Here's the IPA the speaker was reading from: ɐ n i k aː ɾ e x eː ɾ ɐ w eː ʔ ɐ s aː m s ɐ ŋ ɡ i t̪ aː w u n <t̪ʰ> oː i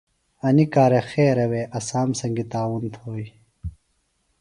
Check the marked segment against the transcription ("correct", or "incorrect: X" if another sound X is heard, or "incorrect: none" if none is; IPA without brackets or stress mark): correct